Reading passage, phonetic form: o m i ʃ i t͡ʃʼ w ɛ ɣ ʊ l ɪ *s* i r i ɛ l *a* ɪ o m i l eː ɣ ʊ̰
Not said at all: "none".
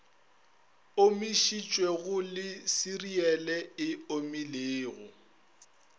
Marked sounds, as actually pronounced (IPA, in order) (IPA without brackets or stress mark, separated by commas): s, ɛ